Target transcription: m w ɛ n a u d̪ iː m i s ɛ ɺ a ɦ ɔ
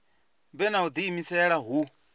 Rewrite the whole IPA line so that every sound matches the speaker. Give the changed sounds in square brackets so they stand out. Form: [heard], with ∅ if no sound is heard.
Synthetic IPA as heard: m [b] ɛ n a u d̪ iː m i s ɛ ɺ a ɦ [u]